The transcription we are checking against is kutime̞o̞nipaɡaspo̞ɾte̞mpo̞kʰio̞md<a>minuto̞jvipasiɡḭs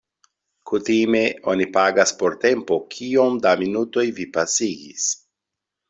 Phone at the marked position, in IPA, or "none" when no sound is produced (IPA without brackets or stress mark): a